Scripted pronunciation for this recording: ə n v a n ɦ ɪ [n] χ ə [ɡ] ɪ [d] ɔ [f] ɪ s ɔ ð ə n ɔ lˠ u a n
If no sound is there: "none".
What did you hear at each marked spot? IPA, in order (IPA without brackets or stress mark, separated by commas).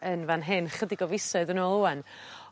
n, d, ɡ, v